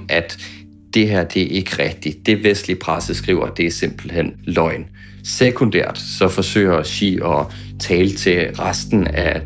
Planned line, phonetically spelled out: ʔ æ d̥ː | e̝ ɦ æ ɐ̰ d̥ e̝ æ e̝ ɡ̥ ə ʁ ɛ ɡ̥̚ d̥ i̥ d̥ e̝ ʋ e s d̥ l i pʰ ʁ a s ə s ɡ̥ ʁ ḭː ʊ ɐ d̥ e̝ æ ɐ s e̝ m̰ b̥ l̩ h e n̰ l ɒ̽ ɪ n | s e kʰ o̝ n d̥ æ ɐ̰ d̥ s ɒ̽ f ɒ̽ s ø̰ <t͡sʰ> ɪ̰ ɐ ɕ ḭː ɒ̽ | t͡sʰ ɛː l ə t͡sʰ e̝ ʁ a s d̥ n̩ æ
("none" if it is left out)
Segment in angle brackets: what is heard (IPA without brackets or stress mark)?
none